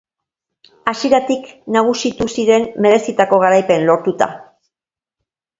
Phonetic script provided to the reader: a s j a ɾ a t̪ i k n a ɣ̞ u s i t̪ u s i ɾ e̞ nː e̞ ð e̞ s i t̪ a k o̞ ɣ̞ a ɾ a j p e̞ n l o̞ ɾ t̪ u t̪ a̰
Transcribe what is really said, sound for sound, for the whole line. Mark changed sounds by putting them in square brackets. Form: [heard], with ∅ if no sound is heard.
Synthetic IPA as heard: a s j [e] ɾ a t̪ i k n a ɣ̞ u s i t̪ u s i ɾ e̞ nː e̞ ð e̞ s i t̪ a k o̞ ɣ̞ a ɾ a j p e̞ n l o̞ ɾ t̪ u t̪ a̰

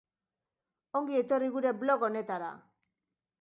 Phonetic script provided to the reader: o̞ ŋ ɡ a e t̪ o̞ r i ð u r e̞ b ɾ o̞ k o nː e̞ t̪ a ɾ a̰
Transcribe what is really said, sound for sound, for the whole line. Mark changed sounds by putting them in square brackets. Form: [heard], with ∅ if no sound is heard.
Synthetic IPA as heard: o̞ ŋ ɡ [i] e t̪ o̞ r i [ɣ] u [ɾ] e̞ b [l] o̞ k o [n] e̞ t̪ a ɾ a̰

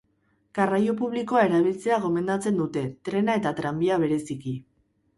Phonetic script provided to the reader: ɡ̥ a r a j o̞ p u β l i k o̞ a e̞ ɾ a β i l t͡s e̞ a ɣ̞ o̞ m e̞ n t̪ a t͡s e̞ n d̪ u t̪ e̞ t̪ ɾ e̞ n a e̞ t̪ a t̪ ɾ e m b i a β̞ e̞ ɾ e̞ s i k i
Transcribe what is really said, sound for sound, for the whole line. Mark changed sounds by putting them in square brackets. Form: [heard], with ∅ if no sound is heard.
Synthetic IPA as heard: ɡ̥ a r a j o̞ p u β l i k o̞ a e̞ ɾ a β i l t͡s e̞ a ɣ̞ o̞ m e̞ n [d̪] a t͡s e̞ n d̪ u t̪ e̞ t̪ ɾ e̞ n a e̞ t̪ a t̪ ɾ [a] m b i a β̞ e̞ ɾ e̞ s i k i

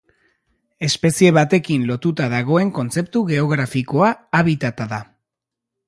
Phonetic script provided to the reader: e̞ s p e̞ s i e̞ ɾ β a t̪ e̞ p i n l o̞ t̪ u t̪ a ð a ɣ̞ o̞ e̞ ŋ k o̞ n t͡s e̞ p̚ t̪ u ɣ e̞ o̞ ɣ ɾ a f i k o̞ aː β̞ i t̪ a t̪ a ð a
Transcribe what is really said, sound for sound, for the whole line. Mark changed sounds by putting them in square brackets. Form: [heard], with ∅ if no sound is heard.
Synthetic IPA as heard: e̞ s p e̞ s i e̞ [∅] β a t̪ e̞ [k] i n l o̞ t̪ u t̪ a ð a ɣ̞ o̞ e̞ ŋ k o̞ n t͡s e̞ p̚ t̪ u ɣ e̞ o̞ ɣ ɾ a f i k o̞ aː β̞ i t̪ a t̪ a ð a

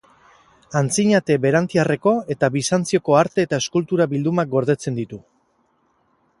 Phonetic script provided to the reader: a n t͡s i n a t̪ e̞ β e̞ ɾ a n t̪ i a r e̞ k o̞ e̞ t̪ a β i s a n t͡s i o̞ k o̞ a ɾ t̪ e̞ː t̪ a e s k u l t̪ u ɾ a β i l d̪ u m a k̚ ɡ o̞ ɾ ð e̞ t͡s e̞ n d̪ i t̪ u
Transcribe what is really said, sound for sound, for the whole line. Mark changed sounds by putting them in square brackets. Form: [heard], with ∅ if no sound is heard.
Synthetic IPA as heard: a n t͡s i [ɲ] a t̪ e̞ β e̞ ɾ a n t̪ i a r e̞ k o̞ e̞ t̪ a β i s a n t͡s i o̞ k o̞ a ɾ t̪ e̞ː t̪ a e s k u l t̪ u ɾ a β i l d̪ u m a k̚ ɡ o̞ ɾ ð e̞ t͡s e̞ n d̪ i t̪ u

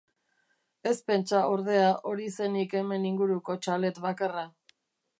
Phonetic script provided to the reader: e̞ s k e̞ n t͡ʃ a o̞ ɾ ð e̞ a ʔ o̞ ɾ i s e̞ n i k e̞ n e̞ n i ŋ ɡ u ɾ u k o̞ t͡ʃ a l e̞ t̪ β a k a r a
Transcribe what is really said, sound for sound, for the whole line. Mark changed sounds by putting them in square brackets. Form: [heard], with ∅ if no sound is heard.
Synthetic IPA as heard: e̞ s [p] e̞ n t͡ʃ a o̞ ɾ ð e̞ a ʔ o̞ ɾ i s e̞ n i k e̞ [m] e̞ n i ŋ ɡ u ɾ u k o̞ t͡ʃ a l e̞ t̪ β a k a r a

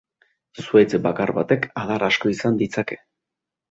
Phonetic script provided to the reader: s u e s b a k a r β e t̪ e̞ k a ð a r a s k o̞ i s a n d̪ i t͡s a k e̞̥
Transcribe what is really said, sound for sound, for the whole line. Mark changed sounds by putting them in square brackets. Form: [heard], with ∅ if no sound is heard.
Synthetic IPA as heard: s u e [t͡s] b a k a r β [a] t̪ e̞ k a ð a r a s k o̞ i s a n d̪ i t͡s a k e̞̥

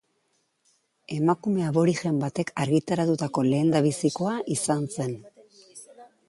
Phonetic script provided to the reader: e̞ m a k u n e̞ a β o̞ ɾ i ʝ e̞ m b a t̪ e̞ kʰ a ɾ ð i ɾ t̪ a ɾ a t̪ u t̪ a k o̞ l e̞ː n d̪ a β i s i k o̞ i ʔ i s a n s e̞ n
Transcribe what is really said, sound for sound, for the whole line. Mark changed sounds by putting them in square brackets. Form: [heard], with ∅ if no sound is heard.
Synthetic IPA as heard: e̞ m a k u [m] e̞ a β o̞ ɾ i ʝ e̞ m b a t̪ e̞ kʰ a ɾ [ɣ] i [∅] t̪ a ɾ a t̪ u t̪ a k o̞ l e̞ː n d̪ a β i s i k o̞ [a] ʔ i s a n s e̞ n

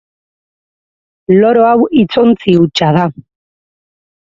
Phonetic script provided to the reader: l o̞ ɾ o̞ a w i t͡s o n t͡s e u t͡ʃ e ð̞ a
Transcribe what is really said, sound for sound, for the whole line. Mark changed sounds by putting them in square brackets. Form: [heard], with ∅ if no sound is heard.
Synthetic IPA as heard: l o̞ ɾ o̞ a w i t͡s o n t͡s [i] u t͡ʃ [a] ð̞ a

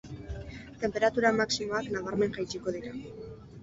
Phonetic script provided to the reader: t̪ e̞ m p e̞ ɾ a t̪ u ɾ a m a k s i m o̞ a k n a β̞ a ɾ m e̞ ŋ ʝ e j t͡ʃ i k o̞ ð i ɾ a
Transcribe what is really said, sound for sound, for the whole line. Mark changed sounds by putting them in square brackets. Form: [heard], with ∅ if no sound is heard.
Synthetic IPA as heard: t̪ e̞ m p e̞ ɾ a t̪ u ɾ a m a k s i m o̞ a k n a β̞ a ɾ m e̞ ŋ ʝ [a] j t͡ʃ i k o̞ ð i ɾ a

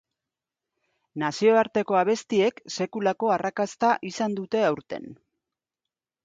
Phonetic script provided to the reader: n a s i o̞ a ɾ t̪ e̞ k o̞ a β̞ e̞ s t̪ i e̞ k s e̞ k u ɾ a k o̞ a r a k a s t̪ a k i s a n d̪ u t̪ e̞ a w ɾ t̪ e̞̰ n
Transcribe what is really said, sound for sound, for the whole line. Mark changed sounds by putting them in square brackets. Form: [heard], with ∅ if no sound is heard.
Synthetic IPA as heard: n a s i o̞ a ɾ t̪ e̞ k o̞ a β̞ e̞ s t̪ i e̞ k s e̞ k u [l] a k o̞ a r a k a s t̪ a [ʔ] i s a n d̪ u t̪ e̞ a w ɾ t̪ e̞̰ n

